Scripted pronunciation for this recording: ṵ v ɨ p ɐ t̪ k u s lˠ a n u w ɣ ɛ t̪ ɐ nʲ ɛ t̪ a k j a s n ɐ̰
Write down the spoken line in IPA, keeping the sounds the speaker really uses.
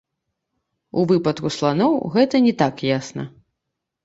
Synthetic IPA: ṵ v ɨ p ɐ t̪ k u s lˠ a n ɔ w ɣ ɛ t̪ ɐ nʲ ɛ t̪ a k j a s n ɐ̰